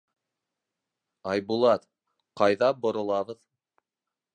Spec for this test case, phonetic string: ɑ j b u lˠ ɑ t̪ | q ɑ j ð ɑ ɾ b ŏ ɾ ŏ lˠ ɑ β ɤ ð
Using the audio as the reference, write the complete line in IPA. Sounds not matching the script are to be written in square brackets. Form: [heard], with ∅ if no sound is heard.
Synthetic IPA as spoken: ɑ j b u lˠ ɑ t̪ | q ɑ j ð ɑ [∅] b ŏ ɾ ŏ lˠ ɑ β ɤ ð